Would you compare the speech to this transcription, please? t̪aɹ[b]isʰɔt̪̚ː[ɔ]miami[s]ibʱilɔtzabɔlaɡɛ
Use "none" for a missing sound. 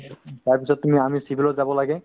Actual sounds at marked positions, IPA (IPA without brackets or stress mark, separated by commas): p, u, s